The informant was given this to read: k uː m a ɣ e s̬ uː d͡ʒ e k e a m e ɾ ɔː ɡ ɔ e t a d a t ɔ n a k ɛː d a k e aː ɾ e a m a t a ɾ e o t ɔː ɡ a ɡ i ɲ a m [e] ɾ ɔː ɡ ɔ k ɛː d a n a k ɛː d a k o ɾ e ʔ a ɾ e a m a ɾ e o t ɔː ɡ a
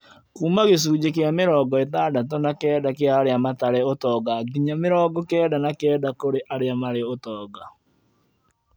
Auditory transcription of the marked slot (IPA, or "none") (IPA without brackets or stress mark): e